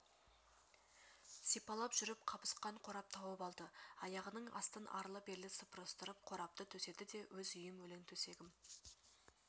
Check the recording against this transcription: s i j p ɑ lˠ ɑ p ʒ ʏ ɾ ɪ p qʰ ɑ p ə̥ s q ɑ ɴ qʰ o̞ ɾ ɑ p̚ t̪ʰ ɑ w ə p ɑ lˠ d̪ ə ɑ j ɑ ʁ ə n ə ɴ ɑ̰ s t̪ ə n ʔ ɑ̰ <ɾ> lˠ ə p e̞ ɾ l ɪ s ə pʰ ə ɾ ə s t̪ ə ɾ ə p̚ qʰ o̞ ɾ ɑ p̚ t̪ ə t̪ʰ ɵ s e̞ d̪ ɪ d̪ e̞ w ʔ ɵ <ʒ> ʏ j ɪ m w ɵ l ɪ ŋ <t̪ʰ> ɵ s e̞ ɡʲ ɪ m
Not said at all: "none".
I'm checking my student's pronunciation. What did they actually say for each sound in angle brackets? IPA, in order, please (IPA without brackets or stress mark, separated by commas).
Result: ɾ, z, t̪ʰ